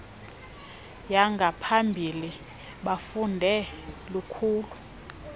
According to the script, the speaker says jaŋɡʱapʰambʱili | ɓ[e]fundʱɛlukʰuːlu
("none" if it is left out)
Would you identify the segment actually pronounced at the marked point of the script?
a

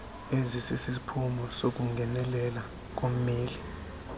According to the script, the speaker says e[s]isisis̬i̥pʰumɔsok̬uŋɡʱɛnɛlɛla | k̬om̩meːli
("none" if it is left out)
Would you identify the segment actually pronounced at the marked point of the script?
z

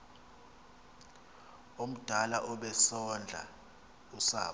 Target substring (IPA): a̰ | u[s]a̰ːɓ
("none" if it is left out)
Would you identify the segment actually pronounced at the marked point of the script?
s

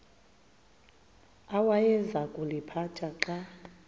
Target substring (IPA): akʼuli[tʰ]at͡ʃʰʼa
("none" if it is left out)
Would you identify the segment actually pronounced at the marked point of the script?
pʰ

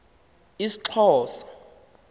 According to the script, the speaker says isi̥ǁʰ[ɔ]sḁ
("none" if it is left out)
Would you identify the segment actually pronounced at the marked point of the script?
ɔː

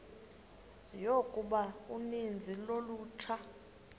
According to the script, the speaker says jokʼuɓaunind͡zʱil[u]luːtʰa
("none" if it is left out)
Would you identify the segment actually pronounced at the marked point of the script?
o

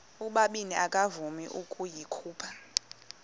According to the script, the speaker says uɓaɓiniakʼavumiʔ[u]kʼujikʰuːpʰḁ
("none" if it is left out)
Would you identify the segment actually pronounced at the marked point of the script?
u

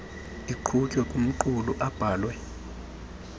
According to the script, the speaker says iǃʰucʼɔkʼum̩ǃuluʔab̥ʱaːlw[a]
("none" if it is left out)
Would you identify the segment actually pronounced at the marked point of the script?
ɛ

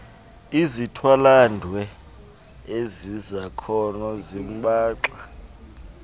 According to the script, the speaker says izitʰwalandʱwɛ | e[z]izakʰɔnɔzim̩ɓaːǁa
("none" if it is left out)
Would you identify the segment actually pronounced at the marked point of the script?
z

